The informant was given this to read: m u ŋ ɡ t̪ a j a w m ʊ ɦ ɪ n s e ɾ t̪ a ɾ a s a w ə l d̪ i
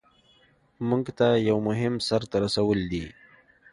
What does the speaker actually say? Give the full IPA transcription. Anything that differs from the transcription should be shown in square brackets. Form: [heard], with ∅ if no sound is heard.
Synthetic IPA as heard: m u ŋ ɡ t̪ a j a w m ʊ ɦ ɪ [m] s [a] ɾ t̪ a ɾ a s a w ə l d̪ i